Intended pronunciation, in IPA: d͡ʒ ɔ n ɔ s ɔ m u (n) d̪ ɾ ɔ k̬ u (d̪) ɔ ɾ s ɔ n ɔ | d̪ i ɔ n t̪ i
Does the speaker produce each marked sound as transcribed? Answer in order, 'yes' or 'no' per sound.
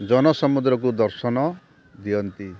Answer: no, yes

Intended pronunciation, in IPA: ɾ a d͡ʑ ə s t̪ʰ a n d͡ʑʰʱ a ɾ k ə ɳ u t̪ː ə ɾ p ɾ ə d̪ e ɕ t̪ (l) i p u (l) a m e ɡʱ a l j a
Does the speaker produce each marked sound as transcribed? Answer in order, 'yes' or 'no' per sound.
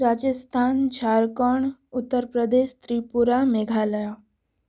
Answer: no, no

